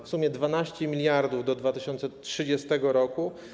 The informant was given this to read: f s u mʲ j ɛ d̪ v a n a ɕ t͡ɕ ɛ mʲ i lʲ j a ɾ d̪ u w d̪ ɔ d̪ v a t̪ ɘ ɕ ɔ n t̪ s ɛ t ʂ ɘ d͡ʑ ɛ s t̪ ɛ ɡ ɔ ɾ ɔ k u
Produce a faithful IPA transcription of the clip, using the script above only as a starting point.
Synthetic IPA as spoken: f s u mʲ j ɛ d̪ v a n a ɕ t͡ɕ ɛ mʲ i lʲ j a ɾ d̪ u v d̪ ɔ d̪ v a t̪ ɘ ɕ ɔ n t̪ s ɛ t ʂ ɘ d͡ʑ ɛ s t̪ ɛ ɡ ɔ ɾ ɔ k u